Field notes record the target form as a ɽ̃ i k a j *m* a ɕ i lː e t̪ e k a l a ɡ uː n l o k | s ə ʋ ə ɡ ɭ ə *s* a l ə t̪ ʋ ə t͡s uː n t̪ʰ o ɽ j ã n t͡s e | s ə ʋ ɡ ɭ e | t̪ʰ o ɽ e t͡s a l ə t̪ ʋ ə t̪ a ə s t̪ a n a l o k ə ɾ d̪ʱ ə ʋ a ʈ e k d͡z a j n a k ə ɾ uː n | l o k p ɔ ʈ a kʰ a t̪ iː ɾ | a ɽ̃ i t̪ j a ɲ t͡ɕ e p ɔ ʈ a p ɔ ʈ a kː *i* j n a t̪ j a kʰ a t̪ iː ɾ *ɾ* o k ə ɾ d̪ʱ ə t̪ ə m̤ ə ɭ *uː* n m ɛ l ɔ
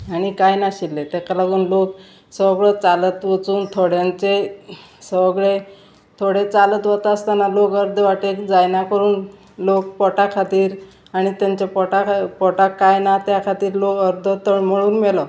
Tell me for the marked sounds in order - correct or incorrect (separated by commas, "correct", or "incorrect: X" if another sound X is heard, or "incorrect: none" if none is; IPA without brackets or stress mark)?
incorrect: n, incorrect: t͡s, incorrect: a, incorrect: l, correct